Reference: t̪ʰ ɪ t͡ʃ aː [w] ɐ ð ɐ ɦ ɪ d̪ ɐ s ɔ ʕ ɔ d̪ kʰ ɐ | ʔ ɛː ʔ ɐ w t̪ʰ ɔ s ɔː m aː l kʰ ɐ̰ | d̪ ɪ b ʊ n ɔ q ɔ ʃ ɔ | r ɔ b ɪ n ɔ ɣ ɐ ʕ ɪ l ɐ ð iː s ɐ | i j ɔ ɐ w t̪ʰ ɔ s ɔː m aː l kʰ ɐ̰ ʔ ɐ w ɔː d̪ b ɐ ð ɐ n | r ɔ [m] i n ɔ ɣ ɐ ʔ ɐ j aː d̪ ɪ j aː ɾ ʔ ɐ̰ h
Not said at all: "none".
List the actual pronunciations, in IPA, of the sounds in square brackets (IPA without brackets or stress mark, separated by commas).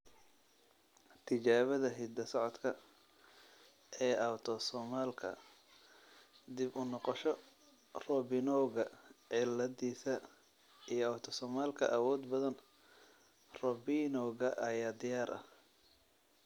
β, b